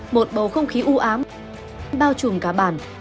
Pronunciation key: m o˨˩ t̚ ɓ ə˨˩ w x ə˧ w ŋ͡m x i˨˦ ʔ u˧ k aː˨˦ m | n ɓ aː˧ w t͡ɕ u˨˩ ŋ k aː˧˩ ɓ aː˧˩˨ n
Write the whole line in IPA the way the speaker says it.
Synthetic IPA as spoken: m o˨˩ t̚ ɓ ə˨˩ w x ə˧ w ŋ͡m x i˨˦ ʔ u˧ ʔ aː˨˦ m | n ɓ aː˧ w t͡ɕ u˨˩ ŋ k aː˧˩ ɓ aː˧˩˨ n